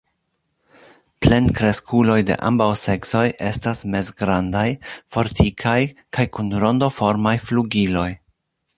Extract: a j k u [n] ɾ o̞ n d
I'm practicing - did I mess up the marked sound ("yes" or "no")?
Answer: no